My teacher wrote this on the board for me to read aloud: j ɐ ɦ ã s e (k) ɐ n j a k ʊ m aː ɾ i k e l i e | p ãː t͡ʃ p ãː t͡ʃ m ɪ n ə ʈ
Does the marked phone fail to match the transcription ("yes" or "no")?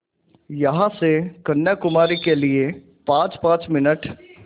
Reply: no